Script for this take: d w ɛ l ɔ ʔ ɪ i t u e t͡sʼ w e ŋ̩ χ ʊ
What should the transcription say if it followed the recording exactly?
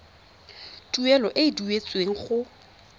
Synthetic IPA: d u ɛ l ɔ ʔ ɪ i d u e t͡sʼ w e ŋ̩ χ ʊ